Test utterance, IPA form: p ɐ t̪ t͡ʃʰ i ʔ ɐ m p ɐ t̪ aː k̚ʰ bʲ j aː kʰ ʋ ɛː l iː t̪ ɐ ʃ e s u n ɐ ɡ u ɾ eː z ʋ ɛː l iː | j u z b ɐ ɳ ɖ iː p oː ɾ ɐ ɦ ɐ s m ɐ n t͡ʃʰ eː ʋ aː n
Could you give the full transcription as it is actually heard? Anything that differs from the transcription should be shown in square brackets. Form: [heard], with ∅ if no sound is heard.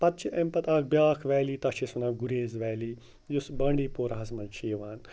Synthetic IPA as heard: p ɐ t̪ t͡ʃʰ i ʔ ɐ m p ɐ t̪ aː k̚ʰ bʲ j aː kʰ ʋ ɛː l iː t̪ ɐ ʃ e s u n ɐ ɡ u ɾ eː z ʋ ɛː l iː | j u [s] b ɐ ɳ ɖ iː p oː ɾ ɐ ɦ ɐ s m ɐ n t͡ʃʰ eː ʋ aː n